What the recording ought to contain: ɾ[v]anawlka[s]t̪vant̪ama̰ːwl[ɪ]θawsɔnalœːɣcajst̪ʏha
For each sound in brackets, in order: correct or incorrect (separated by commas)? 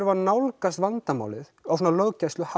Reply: correct, correct, correct